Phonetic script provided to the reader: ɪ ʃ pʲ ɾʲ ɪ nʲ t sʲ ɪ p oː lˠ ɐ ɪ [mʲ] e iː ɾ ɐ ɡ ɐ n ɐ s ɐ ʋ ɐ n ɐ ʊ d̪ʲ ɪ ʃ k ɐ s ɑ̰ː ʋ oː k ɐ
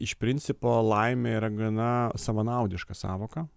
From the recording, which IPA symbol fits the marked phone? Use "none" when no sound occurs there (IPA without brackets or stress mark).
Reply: mʲ